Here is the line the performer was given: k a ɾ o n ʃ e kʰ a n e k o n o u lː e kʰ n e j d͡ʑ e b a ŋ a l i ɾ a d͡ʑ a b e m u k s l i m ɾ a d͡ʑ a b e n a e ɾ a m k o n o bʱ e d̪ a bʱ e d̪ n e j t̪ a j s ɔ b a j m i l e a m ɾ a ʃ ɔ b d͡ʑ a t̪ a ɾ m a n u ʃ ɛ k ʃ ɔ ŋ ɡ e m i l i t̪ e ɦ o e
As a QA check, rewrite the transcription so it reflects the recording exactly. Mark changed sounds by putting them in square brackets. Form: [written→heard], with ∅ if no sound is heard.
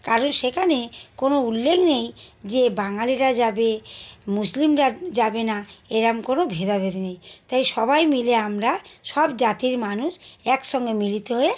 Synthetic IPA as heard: k a ɾ o n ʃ e kʰ a n e k o n o u lː e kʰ n e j d͡ʑ e b a ŋ a l i ɾ a d͡ʑ a b e m u [k→∅] s l i m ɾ a d͡ʑ a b e n a e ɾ a m k o n o bʱ e d̪ a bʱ e d̪ n e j t̪ a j [s→ʃ] ɔ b a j m i l e a m ɾ a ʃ ɔ b d͡ʑ a t̪ [a→i] ɾ m a n u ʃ ɛ k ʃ ɔ ŋ ɡ e m i l i t̪ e ɦ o e